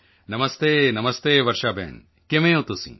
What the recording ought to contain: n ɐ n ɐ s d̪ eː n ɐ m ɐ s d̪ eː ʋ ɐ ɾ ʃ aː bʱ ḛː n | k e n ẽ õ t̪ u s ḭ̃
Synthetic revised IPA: n ɐ m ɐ s t̪ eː n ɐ m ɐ s t̪ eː ʋ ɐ ɾ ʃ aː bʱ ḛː n | k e m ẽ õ t̪ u s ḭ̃